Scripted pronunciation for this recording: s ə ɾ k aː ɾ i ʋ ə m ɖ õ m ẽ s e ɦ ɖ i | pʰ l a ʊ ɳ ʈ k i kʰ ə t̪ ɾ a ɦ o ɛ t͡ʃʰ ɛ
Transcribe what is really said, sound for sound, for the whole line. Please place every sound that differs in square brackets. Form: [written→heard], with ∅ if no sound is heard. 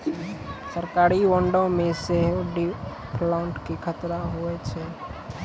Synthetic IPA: s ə ɾ k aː ɾ i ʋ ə [m→ɳ] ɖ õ m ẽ s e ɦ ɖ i | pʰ l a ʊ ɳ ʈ k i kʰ ə t̪ ɾ a ɦ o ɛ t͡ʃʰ ɛ